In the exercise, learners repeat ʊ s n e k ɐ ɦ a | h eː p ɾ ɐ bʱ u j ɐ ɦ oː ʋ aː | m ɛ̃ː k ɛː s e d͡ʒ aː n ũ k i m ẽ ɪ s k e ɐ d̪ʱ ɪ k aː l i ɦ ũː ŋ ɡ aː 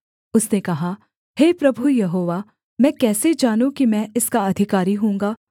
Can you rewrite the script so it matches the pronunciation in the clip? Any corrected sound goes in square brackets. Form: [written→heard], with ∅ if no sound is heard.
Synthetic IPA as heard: ʊ s n e k ɐ ɦ a | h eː p ɾ ɐ bʱ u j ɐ ɦ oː ʋ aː | m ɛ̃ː k ɛː s e d͡ʒ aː n ũ k i m [ẽ→ɛ̃] ɪ s k [e→a] ɐ d̪ʱ ɪ k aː [l→ɾ] i ɦ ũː ŋ ɡ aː

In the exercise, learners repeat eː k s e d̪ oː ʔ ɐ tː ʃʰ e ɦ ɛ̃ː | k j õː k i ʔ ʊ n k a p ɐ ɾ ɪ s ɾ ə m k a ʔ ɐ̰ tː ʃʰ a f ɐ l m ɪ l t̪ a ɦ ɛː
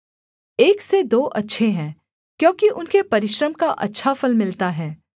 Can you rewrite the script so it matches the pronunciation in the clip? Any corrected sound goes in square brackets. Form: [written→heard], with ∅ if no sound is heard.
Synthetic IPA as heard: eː k s e d̪ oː ʔ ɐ tː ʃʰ e ɦ ɛ̃ː | k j õː k i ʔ ʊ n k [a→e] p ɐ ɾ ɪ [s→ʃ] ɾ ə m k a ʔ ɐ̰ tː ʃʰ a f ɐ l m ɪ l t̪ a ɦ ɛː

